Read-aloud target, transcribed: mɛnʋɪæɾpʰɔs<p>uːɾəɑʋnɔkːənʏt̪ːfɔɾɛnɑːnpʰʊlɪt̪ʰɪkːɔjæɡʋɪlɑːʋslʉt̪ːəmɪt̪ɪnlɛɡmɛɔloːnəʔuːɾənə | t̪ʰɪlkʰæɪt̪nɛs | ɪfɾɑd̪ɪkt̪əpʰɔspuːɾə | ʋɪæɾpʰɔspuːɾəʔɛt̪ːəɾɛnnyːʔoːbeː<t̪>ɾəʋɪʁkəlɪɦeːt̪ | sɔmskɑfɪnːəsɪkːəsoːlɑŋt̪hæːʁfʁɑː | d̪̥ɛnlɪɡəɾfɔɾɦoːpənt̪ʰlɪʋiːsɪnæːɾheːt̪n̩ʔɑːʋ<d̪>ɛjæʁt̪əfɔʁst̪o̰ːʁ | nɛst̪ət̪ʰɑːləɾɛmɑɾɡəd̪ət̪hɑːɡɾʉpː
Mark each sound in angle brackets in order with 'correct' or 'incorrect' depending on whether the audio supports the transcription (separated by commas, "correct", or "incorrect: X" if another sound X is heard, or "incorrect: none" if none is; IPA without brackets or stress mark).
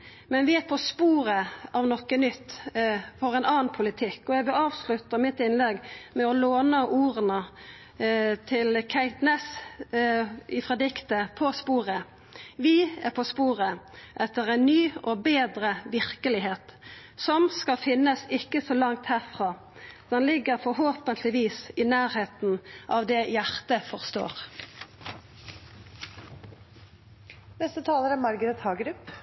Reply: correct, incorrect: d̪, correct